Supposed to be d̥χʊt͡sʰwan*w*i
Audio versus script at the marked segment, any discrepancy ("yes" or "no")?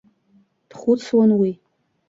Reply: no